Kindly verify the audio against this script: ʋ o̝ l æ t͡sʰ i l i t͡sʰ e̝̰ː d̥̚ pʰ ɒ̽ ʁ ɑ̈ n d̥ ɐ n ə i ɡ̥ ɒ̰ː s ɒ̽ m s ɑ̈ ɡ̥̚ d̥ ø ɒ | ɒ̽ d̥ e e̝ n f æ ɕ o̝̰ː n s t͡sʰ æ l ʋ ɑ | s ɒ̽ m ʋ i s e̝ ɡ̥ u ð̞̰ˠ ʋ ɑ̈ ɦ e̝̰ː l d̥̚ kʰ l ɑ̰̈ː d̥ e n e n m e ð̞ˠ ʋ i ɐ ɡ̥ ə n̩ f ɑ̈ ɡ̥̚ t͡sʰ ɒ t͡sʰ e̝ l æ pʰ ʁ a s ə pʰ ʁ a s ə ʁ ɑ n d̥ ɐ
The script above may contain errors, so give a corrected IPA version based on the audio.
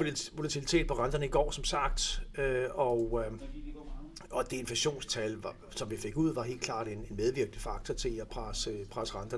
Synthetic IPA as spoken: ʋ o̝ l æ t͡sʰ i l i t͡sʰ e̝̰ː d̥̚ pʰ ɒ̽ ʁ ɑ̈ n d̥ ɐ n ə i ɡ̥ ɒ̰ː s ɒ̽ m s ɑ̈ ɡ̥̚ d̥ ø ɒ | ɒ̽ d̥ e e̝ n f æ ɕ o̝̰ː n s t͡sʰ æ l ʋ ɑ | s ɒ̽ m ʋ i f e̝ ɡ̥ u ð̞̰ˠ ʋ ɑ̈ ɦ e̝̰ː l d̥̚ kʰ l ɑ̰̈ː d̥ e n e n m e ð̞ˠ ʋ i ɐ ɡ̥ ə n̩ f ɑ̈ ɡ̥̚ t͡sʰ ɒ t͡sʰ e̝ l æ pʰ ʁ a s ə pʰ ʁ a s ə ʁ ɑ n d̥ ɐ